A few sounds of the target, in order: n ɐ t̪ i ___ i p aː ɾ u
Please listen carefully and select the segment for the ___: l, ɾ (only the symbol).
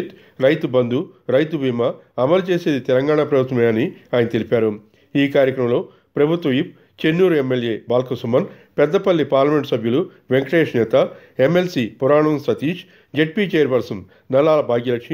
l